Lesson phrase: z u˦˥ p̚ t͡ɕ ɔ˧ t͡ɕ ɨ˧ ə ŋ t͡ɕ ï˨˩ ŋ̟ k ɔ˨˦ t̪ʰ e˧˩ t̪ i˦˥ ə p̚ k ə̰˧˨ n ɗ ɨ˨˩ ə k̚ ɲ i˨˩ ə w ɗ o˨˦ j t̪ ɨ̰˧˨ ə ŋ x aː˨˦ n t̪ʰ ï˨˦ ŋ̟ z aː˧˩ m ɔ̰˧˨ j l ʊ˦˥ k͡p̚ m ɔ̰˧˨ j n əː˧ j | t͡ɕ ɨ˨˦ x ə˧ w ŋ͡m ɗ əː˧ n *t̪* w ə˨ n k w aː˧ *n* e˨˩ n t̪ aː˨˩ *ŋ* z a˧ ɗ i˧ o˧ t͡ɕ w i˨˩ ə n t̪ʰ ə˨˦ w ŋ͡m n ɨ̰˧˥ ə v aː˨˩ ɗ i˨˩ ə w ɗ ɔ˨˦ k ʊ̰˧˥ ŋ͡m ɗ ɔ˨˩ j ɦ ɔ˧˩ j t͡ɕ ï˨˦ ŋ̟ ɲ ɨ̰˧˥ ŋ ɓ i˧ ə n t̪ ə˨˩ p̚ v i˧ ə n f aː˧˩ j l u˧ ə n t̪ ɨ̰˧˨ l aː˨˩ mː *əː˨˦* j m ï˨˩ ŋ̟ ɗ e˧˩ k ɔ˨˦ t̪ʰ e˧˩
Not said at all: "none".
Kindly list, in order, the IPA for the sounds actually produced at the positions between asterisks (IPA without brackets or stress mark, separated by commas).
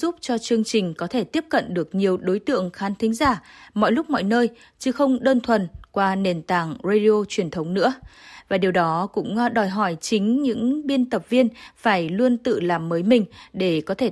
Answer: t̪ʰ, n, ŋ, əː˨˦